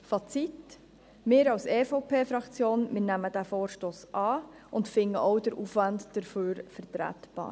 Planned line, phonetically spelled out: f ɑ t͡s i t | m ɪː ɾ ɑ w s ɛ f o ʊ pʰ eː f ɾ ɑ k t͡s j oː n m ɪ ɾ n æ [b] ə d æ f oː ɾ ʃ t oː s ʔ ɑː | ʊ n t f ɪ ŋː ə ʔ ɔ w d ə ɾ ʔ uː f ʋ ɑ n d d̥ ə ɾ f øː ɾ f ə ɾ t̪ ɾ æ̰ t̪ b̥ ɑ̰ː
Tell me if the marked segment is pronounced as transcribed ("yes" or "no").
no